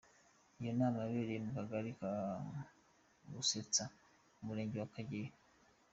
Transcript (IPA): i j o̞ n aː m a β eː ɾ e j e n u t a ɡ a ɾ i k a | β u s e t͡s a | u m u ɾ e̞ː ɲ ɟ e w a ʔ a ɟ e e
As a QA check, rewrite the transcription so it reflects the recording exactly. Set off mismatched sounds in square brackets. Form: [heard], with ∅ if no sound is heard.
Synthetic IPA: i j o̞ n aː m a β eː ɾ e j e [m] u [k] a ɡ a ɾ i k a | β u s e t͡s a | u m u ɾ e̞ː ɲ ɟ e w a [k] a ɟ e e